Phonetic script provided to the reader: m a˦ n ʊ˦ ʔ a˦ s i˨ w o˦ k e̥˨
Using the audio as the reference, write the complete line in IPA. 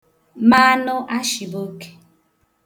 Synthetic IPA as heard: m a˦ n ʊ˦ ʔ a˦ ʃ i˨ b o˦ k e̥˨